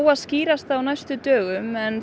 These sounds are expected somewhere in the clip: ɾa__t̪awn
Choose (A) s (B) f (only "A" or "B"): A